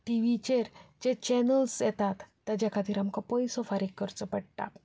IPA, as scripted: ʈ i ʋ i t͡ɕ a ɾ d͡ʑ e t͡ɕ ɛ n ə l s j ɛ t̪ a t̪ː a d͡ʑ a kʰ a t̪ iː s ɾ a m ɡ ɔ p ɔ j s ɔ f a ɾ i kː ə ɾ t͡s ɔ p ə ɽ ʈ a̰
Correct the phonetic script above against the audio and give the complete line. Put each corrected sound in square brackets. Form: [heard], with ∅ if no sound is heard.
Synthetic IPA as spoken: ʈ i ʋ i t͡ɕ [e] ɾ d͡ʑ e t͡ɕ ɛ n ə l s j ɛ t̪ a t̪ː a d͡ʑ a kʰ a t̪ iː [∅] ɾ a m [k] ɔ p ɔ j s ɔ f a ɾ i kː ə ɾ t͡s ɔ p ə ɽ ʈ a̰